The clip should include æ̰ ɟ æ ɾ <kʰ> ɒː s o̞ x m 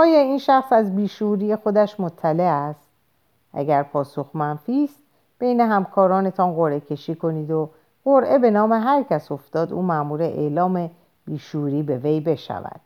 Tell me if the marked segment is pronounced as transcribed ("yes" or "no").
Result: no